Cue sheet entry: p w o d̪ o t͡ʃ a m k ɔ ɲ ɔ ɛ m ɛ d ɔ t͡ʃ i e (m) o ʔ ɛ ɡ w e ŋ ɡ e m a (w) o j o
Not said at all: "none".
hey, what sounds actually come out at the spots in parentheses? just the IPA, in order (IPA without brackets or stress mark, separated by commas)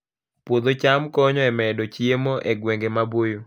m, b